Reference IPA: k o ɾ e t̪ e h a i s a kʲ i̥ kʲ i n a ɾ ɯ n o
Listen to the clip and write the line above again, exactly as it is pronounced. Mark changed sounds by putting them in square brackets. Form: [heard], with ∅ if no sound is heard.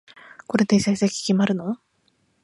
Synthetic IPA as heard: k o ɾ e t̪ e [s] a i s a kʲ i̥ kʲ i [m] a ɾ ɯ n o